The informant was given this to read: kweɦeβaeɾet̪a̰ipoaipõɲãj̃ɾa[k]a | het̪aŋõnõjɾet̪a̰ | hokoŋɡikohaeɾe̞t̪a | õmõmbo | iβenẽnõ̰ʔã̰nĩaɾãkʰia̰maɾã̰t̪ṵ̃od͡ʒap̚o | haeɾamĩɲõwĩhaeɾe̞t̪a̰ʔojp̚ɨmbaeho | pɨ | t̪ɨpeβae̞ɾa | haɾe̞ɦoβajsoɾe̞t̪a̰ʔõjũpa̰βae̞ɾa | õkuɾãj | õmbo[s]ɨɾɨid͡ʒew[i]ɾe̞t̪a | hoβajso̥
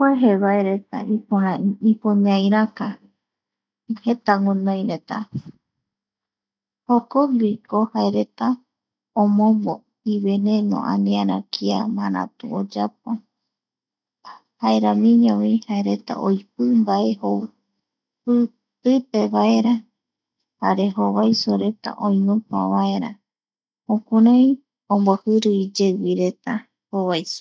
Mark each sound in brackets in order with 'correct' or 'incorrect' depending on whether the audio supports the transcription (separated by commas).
correct, incorrect, correct